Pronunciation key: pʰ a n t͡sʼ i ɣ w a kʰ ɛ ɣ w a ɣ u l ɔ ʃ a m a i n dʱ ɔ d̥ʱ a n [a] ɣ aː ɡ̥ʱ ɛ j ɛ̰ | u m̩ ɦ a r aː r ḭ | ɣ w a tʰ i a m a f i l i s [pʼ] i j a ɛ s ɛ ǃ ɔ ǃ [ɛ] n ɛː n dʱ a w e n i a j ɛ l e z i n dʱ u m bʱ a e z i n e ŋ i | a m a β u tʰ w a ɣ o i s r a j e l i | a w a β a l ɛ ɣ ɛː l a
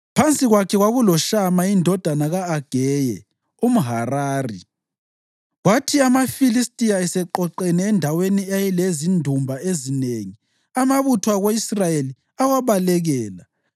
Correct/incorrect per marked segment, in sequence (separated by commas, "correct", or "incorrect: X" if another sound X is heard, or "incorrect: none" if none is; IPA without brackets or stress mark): correct, incorrect: tʼ, correct